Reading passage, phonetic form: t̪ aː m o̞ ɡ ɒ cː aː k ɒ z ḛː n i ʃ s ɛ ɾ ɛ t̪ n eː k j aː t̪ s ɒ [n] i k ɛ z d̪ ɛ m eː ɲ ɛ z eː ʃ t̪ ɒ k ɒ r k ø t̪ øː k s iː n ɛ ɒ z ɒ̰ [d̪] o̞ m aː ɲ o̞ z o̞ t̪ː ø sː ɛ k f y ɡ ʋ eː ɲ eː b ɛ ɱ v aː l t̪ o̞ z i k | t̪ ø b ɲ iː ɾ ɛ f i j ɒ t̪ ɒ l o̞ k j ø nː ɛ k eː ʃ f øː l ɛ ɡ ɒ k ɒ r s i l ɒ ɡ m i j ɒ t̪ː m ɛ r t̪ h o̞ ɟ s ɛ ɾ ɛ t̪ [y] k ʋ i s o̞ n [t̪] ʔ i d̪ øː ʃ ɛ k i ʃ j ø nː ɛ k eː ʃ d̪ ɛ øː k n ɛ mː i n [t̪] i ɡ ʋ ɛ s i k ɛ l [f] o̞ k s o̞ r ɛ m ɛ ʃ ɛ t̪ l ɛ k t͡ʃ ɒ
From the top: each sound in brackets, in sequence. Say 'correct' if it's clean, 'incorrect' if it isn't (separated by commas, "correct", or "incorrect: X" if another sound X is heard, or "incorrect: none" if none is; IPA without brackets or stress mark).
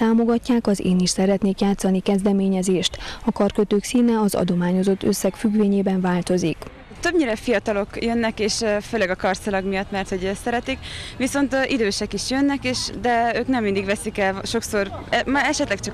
correct, correct, incorrect: i, correct, incorrect: d̪, incorrect: ʃ